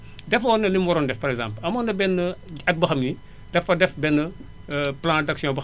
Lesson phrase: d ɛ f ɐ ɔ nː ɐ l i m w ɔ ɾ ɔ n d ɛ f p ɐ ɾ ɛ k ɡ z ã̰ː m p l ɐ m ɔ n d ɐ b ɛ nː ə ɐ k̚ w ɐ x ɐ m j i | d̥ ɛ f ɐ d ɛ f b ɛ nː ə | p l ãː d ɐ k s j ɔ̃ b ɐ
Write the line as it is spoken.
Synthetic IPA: d ɛ f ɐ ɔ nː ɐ l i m w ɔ ɾ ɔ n d ɛ f p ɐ ɾ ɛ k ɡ z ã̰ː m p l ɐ m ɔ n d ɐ b ɛ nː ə ɐ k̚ b ɐ x ɐ m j i | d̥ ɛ f ɐ d ɛ f b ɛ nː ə | p l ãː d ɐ k s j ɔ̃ b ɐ